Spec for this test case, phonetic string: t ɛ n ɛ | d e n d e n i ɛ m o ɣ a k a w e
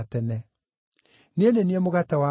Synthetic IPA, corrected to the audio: t ɛ n ɛ | n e n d e n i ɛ m o ɣ a t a w a

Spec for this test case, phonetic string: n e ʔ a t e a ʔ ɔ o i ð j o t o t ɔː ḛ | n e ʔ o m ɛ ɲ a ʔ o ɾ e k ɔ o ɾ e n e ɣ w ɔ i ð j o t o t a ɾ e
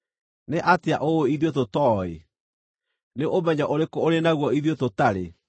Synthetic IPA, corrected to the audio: n e ʔ a t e a ʔ o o i ð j o t o t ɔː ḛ | n e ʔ o m ɛ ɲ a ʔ o ɾ e k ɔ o ɾ e n a ɣ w ɔ i ð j o t o t a ɾ e

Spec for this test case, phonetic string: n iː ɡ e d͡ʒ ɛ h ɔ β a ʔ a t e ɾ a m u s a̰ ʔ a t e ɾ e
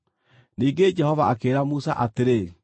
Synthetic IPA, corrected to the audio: n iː ɡ e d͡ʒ ɛ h ɔ v a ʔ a k e ɾ a m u s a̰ ʔ a t e ɾ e

